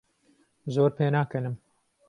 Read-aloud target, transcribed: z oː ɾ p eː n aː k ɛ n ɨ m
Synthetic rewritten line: z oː ɾ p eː n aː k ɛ n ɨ m